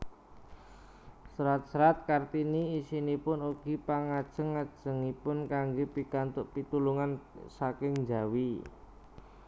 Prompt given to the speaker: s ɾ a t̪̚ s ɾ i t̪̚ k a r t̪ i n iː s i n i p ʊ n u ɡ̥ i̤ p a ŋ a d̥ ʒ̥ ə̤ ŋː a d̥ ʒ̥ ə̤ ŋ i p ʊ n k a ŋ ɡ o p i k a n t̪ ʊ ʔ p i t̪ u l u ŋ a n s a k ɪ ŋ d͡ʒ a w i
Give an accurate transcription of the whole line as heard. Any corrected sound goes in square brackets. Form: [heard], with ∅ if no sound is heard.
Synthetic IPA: s ɾ a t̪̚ s ɾ [a] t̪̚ k a r t̪ i n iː s i n i p ʊ n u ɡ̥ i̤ p a ŋ a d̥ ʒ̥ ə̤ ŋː a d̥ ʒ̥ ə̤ ŋ i p ʊ n k a ŋ ɡ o p i k a n t̪ ʊ ʔ p i t̪ u l u ŋ a n s a k ɪ ŋ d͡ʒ a w i